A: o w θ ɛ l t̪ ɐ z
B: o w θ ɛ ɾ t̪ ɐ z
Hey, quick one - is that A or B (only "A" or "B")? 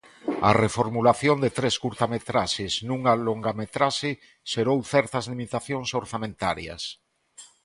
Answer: B